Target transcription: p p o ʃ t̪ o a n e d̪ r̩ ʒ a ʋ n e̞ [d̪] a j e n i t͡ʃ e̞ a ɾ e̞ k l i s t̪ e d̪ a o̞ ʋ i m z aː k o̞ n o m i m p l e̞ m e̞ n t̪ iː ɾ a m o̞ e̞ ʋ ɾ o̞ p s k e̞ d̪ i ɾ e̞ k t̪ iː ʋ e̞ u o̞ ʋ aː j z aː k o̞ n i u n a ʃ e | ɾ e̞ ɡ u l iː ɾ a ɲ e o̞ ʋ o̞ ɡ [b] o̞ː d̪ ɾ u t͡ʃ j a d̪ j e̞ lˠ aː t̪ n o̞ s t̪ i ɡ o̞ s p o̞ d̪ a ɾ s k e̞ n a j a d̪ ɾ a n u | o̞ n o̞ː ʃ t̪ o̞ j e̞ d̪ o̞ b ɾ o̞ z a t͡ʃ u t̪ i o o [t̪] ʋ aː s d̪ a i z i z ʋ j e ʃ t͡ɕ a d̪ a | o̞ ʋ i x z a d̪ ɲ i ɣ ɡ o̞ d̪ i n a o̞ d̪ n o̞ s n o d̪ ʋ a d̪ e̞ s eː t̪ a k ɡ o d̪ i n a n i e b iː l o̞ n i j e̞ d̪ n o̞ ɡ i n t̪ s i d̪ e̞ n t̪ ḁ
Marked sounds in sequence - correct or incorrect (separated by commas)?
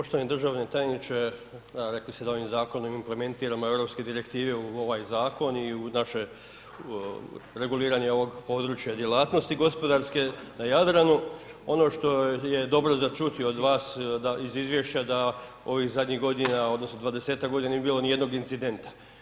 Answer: incorrect, incorrect, incorrect